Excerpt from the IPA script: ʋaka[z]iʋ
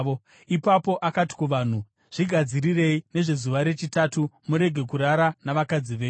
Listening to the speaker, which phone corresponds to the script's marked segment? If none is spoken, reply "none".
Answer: d͡z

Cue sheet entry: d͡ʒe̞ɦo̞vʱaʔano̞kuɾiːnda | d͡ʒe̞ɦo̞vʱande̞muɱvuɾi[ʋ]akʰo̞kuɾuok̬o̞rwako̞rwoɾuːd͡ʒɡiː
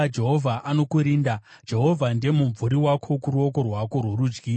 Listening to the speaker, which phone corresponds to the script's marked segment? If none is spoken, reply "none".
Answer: w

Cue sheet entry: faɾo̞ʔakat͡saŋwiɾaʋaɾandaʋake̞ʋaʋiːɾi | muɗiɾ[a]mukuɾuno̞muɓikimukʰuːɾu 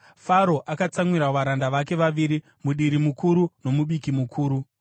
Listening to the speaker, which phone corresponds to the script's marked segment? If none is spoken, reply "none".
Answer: i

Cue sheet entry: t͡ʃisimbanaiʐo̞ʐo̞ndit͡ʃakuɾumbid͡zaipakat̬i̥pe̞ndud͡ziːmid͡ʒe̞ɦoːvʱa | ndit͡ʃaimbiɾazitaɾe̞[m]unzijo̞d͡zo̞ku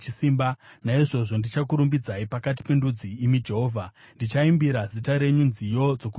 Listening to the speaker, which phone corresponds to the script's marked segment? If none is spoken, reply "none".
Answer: ɲ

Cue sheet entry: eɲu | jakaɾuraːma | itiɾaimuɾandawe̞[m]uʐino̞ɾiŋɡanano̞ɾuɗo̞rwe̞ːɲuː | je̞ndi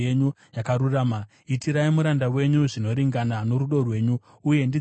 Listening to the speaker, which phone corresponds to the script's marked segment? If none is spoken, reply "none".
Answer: ɲ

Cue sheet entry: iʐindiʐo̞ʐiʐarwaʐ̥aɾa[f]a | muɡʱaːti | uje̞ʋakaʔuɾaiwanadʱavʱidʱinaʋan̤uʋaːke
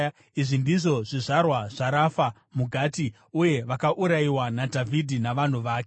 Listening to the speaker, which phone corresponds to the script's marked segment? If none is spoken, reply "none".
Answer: f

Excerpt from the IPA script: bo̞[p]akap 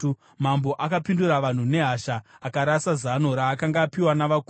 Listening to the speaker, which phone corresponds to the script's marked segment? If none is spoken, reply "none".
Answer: ʔ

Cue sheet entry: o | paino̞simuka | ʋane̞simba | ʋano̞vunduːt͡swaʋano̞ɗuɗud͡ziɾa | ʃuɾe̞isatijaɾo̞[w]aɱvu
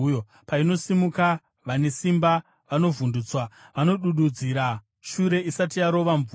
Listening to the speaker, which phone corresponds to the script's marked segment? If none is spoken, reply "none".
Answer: ʋ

